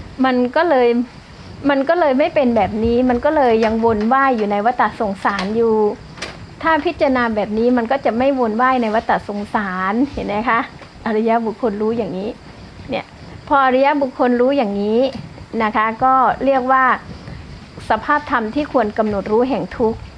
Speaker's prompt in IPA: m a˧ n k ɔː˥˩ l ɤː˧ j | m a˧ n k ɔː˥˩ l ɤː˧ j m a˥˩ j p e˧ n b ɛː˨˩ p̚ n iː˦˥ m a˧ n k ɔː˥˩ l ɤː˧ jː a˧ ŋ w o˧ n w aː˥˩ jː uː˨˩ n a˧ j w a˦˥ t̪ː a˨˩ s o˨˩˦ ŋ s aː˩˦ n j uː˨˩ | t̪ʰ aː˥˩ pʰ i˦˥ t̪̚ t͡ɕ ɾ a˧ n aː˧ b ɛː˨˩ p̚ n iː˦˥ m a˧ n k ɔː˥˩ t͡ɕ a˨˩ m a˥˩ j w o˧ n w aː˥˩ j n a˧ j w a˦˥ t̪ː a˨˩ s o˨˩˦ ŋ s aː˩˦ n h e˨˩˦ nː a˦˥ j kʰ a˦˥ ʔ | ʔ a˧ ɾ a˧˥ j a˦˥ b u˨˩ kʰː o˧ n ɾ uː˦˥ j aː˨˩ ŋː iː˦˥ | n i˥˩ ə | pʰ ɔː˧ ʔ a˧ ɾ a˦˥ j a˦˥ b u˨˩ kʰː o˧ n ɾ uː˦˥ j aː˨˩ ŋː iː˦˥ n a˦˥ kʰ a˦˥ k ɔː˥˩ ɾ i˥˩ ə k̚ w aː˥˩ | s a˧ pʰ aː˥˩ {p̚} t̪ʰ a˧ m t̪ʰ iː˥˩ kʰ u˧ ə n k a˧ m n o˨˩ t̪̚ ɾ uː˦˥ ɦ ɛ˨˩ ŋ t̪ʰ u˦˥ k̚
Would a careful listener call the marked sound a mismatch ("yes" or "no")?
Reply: no